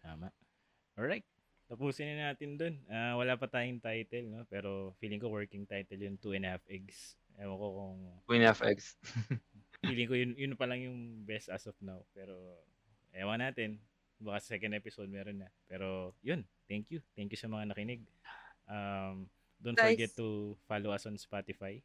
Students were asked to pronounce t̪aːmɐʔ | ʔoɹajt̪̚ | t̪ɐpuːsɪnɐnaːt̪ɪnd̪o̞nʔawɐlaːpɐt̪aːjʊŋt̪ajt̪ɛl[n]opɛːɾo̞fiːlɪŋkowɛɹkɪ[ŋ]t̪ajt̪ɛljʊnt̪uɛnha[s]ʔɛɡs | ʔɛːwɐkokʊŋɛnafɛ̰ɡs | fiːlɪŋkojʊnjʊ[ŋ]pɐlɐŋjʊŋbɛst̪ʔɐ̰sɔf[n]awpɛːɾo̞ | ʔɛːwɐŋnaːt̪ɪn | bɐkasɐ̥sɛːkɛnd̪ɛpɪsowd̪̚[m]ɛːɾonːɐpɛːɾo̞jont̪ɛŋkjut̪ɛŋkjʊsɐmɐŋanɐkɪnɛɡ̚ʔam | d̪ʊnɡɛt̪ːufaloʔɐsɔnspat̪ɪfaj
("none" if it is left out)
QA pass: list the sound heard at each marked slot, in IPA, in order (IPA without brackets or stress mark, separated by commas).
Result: n, ŋ, f, n, n, m